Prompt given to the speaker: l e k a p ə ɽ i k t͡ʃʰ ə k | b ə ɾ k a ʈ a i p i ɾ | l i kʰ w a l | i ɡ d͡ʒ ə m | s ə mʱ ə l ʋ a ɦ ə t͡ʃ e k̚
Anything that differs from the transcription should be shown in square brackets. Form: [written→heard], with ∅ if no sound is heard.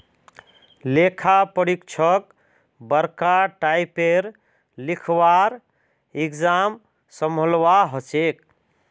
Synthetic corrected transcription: l e [k→kʰ] a p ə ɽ i k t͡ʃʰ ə k | b ə ɾ k a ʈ a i p [i→e] ɾ | l i kʰ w a [l→ɾ] | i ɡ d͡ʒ [ə→a] m | s ə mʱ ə l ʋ a ɦ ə t͡ʃ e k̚

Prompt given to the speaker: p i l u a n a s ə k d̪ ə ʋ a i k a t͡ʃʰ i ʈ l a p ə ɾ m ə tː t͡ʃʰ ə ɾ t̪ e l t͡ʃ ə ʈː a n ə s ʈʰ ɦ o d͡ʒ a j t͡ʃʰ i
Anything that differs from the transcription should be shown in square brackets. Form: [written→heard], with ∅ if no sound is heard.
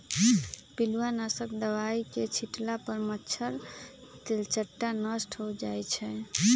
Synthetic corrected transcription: p i l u a n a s ə k d̪ ə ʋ a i k [a→e] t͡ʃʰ i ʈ l a p ə ɾ m ə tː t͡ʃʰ ə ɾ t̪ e l t͡ʃ ə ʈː a n ə s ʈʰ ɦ o d͡ʒ a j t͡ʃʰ [i→ɛ]

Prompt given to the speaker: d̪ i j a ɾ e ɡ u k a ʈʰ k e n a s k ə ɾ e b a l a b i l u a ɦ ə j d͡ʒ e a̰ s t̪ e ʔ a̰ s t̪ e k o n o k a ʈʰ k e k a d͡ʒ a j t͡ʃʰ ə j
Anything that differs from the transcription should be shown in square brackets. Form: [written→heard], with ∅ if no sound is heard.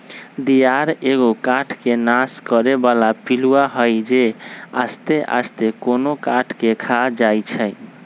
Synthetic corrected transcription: d̪ i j a ɾ e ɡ [u→o] k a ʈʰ k e n a s k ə ɾ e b a l a [b→p] i l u a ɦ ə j d͡ʒ e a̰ s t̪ e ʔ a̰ s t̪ e k o n o k a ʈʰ k e [k→kʰ] a d͡ʒ a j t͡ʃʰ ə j

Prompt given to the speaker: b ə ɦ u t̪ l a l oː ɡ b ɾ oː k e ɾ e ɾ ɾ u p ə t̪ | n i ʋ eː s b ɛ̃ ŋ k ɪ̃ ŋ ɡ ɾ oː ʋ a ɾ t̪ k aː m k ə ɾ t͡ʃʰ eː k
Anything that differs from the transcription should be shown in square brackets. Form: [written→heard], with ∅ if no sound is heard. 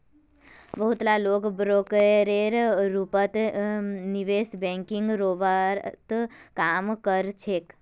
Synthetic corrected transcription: b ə ɦ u t̪ l a l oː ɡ b ɾ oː k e ɾ e ɾ ɾ u p ə t̪ | n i ʋ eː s b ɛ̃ ŋ k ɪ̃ ŋ ɡ ɾ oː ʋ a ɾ t̪ k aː m k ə ɾ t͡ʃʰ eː k

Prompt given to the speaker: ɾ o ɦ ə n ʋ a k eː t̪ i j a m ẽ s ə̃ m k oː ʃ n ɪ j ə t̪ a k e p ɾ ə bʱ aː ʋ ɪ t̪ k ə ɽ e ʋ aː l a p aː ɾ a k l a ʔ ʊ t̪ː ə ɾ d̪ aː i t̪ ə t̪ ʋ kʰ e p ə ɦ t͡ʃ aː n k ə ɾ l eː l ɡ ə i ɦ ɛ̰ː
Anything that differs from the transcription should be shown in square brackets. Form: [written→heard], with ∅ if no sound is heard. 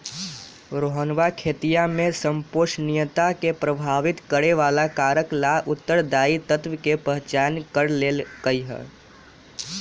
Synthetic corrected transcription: ɾ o ɦ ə n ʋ a [k→kʰ] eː t̪ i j a m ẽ s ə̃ m [k→p] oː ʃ n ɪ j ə t̪ a k e p ɾ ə bʱ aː ʋ ɪ t̪ k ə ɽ e ʋ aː l a [p→k] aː ɾ [a→ə] k l a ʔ ʊ t̪ː ə ɾ d̪ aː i t̪ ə t̪ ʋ [kʰ→k] e p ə ɦ t͡ʃ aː n k ə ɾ l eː l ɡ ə i ɦ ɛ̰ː

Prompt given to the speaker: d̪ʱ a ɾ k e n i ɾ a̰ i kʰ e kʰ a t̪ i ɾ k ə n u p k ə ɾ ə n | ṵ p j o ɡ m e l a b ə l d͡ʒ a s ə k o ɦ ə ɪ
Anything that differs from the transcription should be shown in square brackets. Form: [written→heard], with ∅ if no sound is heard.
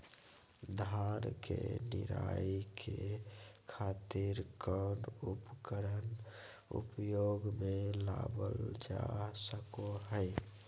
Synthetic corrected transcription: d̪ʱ a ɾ k e n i ɾ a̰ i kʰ e kʰ a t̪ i ɾ k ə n u p k ə ɾ ə n | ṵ p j o ɡ m e l a b ə l d͡ʒ a s ə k o ɦ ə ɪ

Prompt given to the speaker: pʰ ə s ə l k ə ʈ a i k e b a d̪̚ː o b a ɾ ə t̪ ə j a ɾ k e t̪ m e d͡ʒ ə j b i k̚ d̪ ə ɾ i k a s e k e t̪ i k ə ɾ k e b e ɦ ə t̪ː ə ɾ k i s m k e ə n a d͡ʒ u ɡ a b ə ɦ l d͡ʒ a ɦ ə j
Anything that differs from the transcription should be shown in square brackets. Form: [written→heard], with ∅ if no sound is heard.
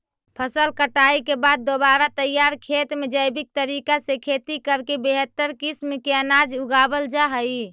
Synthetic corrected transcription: pʰ ə s ə l k ə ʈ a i k e b a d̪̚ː o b a ɾ [ə→a] t̪ ə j a ɾ [k→kʰ] e t̪ m e d͡ʒ ə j b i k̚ [d̪→t̪] ə ɾ i k a s e [k→kʰ] e t̪ i k ə ɾ k e b e ɦ ə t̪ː ə ɾ k i s m k e ə n a d͡ʒ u ɡ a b ə [ɦ→∅] l d͡ʒ a ɦ ə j

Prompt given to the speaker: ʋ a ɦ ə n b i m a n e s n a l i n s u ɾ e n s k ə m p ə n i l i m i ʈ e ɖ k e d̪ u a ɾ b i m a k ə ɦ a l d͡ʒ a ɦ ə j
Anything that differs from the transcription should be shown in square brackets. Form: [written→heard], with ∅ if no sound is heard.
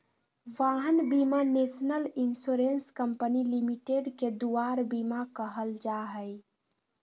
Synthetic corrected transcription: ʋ a ɦ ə n b i m a n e s n [a→ə] l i n s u ɾ e n s k ə m p ə n i l i m i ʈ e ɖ k e d̪ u a ɾ b i m a k ə ɦ [a→ə] l d͡ʒ a ɦ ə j

